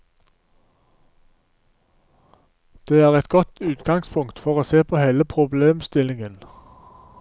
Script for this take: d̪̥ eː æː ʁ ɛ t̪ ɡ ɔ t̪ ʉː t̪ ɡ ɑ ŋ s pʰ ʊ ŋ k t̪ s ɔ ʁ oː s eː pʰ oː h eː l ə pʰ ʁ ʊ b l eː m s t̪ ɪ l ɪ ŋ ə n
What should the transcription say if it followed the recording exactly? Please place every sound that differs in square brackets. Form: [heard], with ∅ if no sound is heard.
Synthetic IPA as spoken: d̪̥ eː æː ʁ ɛ t̪ ɡ ɔ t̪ ʉː t̪ ɡ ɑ ŋ s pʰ ʊ ŋ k t̪ [f] ɔ ʁ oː s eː pʰ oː h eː l ə pʰ ʁ ʊ b l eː m s t̪ ɪ l ɪ ŋ ə n